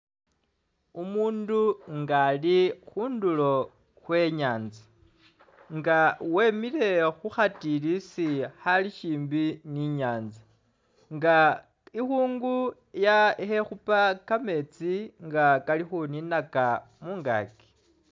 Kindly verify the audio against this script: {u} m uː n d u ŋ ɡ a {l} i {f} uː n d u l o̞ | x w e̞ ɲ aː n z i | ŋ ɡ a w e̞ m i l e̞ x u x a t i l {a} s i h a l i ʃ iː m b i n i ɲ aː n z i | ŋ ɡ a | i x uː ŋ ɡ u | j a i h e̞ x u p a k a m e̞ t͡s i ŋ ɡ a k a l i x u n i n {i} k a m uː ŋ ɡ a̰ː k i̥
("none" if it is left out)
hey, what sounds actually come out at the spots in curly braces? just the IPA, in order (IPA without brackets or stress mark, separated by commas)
u, l, x, i, a